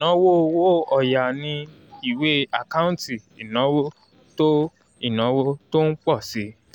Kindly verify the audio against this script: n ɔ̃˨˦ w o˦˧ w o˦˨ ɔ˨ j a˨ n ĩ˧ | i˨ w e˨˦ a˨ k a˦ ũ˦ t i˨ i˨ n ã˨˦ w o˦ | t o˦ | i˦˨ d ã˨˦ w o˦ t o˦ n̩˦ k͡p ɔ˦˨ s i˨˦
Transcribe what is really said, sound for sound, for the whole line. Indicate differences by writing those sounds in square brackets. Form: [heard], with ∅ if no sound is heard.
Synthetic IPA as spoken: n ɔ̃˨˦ w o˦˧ w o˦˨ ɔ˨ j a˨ n ĩ˧ | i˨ w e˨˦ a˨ k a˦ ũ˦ t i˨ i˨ n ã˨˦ w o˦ | t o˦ | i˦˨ [n] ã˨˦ w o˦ t o˦ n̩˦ k͡p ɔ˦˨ s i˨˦

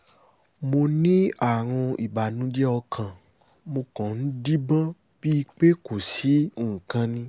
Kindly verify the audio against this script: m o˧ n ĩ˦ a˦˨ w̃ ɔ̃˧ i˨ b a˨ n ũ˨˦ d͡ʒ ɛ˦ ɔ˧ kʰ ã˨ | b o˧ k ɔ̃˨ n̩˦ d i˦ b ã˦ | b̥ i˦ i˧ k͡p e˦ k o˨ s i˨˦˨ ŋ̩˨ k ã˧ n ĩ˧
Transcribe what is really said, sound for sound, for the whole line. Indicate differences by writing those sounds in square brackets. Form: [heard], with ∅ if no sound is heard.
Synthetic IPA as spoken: m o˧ n ĩ˦ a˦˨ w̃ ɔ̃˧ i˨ b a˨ n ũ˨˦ d͡ʒ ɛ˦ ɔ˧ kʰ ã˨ | [m] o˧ k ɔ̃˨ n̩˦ d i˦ b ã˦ | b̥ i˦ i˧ k͡p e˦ k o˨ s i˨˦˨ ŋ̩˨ k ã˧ n ĩ˧

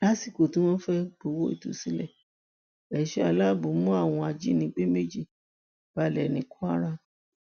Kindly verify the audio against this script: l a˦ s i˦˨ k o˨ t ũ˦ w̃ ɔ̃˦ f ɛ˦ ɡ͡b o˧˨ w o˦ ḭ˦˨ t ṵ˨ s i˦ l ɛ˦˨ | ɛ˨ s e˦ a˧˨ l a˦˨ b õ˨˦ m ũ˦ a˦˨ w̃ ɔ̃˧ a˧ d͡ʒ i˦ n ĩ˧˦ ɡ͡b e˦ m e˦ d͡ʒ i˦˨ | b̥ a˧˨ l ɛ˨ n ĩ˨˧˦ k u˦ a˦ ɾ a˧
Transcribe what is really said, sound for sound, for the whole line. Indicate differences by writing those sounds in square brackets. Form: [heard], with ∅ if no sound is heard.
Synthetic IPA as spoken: l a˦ s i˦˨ k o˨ t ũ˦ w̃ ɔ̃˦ f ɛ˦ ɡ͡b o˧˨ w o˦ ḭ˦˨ t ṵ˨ s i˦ l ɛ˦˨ | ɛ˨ [ʃ] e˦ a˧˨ l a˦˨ b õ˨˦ m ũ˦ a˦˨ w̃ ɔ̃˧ a˧ d͡ʒ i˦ n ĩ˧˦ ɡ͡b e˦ m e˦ d͡ʒ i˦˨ | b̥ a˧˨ l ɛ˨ n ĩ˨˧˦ k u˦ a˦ ɾ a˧

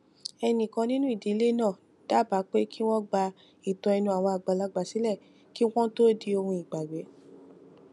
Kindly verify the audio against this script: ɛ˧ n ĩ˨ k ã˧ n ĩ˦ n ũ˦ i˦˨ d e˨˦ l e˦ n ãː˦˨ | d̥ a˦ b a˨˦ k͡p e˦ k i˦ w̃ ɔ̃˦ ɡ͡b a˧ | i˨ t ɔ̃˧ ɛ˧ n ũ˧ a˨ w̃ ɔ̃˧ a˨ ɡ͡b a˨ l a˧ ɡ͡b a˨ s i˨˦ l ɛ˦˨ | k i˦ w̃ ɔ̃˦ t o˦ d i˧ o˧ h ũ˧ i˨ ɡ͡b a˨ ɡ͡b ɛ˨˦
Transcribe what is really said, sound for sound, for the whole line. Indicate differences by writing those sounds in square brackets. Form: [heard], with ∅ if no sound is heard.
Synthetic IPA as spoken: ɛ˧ n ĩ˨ k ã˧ n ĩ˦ n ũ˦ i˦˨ d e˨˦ l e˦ n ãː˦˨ | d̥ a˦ b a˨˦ k͡p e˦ k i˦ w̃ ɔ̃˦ ɡ͡b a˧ | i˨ t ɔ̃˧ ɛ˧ n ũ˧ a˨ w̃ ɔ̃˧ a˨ ɡ͡b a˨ l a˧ ɡ͡b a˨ s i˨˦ l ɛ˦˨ | k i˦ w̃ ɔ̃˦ t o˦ d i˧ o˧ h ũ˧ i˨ ɡ͡b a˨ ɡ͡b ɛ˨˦

